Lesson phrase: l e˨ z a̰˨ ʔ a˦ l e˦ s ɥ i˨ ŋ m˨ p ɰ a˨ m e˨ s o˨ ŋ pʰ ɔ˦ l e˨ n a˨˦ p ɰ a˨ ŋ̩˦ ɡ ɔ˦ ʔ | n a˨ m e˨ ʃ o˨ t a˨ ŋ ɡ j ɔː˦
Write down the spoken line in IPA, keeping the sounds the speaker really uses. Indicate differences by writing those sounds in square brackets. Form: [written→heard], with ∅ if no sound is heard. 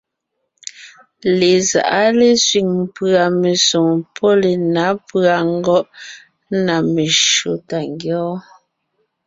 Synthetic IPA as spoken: l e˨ z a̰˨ ʔ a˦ l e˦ s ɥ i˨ ŋ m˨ p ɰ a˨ m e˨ s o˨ ŋ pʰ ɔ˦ l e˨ n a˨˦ p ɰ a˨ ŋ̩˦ ɡ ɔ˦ ʔ | n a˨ m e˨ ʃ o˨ t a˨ ŋ ɡ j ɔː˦

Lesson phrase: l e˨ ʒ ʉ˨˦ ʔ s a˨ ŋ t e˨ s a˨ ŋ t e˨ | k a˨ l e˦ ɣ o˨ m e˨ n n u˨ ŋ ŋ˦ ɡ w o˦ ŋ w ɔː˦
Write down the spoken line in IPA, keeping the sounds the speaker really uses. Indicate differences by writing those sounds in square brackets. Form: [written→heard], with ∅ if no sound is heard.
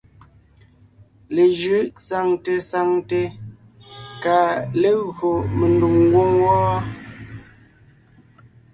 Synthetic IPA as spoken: l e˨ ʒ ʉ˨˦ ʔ s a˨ ŋ t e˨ s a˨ ŋ t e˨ | k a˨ l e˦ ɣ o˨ m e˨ n [n→d] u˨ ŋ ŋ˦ ɡ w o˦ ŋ w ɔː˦

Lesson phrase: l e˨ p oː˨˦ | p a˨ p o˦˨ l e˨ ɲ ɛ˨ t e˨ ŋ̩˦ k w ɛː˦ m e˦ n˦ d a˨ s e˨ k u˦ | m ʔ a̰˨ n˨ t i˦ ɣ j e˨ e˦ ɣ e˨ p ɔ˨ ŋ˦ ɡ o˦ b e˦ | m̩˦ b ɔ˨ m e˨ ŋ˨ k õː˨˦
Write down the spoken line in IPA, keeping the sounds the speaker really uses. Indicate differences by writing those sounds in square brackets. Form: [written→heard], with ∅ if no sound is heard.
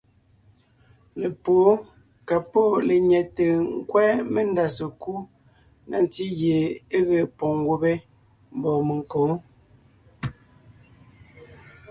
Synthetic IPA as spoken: l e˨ p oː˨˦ | [p→k] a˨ p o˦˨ l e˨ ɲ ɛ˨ t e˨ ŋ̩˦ k w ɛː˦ m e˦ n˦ d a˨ s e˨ k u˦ | [m→n] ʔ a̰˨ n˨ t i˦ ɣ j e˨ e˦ ɣ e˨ p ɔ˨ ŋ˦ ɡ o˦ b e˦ | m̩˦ b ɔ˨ m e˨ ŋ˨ k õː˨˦

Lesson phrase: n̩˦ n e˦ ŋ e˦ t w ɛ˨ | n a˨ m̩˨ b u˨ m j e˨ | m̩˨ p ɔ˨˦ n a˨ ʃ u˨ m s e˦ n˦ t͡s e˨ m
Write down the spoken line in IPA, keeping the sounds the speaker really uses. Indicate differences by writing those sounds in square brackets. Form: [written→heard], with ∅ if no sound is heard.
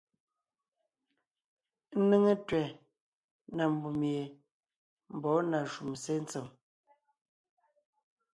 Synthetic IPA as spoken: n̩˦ n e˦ ŋ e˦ t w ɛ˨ | n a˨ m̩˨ b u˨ m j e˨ | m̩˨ [p→b] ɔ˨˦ n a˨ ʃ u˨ m s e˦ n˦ t͡s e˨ m

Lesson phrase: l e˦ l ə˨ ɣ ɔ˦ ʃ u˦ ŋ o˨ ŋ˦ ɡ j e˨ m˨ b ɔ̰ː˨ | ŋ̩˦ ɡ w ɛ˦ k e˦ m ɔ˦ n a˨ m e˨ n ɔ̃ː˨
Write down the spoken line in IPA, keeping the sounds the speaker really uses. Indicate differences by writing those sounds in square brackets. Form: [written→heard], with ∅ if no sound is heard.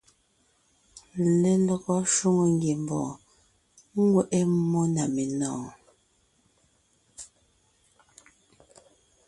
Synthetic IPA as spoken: l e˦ l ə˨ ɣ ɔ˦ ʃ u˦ ŋ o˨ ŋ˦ ɡ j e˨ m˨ b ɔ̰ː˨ | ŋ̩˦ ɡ w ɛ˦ [k→ʔ] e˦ m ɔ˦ n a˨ m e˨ n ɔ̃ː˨

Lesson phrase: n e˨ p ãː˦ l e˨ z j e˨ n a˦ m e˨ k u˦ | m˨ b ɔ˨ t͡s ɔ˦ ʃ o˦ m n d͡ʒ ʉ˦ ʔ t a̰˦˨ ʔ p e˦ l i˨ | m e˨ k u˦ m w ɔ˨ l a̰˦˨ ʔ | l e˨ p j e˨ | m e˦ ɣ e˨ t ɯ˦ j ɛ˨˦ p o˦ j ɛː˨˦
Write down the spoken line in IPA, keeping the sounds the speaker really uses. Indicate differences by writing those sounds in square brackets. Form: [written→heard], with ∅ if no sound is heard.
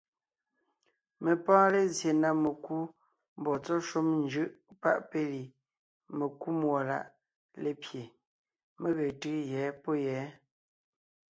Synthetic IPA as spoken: [n→m] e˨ p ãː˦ l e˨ z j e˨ n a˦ m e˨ k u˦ | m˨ b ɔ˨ t͡s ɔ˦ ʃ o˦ m n d͡ʒ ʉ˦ ʔ [t→p] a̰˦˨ ʔ p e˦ l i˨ | m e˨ k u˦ m w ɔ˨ l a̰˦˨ ʔ | l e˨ p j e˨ | m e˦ ɣ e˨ t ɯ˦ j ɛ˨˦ p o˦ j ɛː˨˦

